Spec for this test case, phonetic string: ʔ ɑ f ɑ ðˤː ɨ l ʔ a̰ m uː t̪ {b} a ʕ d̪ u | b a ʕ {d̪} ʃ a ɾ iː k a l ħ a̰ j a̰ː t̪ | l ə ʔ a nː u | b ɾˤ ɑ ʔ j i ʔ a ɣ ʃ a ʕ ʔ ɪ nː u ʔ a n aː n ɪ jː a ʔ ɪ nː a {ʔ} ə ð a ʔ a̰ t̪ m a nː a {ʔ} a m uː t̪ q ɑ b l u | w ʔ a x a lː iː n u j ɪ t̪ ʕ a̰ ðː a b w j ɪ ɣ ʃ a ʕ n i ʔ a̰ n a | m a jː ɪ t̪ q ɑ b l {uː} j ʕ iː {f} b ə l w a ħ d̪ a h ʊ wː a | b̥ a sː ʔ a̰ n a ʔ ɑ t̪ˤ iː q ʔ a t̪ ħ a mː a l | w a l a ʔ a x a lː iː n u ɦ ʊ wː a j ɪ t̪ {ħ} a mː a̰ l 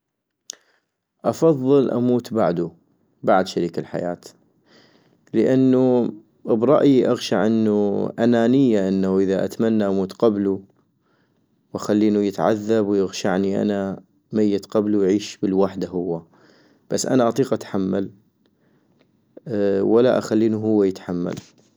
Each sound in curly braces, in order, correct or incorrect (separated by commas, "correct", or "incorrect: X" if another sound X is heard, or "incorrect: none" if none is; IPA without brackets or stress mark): correct, correct, correct, correct, incorrect: u, incorrect: ʃ, correct